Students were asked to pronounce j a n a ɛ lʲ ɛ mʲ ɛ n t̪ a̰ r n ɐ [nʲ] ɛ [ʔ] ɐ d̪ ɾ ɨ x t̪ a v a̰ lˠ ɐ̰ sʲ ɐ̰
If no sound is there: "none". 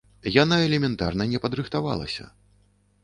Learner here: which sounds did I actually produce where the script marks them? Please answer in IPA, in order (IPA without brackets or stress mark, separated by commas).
nʲ, p